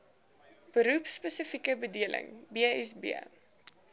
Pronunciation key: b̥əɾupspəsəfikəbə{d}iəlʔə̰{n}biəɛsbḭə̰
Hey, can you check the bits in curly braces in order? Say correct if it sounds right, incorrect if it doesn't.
correct, incorrect: ŋ

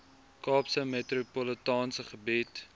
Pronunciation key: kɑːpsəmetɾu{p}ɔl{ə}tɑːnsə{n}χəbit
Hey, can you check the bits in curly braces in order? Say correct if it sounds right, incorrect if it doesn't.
correct, correct, incorrect: none

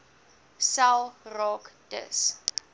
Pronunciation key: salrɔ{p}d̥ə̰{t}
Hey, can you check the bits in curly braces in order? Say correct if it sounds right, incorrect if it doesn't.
incorrect: k, incorrect: s

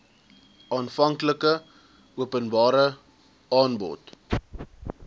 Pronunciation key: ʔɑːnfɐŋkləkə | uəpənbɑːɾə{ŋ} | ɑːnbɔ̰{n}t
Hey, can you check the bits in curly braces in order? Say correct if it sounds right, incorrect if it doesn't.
incorrect: none, incorrect: none

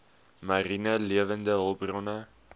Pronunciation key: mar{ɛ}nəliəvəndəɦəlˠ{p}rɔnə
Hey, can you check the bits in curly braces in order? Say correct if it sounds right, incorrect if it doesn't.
incorrect: i, incorrect: b

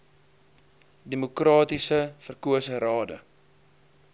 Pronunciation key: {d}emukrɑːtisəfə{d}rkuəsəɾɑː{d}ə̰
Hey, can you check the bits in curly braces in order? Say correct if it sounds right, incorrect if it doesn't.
correct, incorrect: none, correct

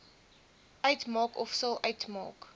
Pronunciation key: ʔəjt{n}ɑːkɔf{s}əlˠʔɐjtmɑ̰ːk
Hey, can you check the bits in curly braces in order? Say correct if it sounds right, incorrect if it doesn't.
incorrect: m, correct

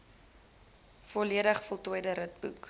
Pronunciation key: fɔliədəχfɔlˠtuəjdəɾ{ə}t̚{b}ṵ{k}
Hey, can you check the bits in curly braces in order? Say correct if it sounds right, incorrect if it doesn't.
correct, correct, correct

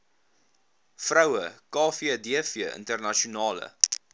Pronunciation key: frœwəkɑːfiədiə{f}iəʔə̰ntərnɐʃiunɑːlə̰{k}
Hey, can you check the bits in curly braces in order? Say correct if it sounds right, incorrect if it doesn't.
correct, incorrect: none

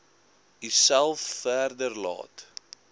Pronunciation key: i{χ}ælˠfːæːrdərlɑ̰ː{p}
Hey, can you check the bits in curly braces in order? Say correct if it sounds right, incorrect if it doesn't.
incorrect: s, incorrect: t

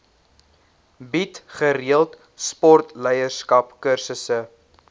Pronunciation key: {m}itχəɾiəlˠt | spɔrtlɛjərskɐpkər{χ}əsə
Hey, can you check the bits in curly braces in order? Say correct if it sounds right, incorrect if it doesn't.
incorrect: b, incorrect: s

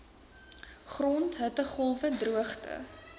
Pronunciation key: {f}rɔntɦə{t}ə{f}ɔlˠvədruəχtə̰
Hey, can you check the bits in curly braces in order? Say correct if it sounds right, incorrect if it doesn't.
incorrect: χ, correct, incorrect: χ

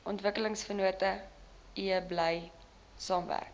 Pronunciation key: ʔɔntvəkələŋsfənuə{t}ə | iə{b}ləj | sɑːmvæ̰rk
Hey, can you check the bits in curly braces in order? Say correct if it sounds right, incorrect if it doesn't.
correct, correct

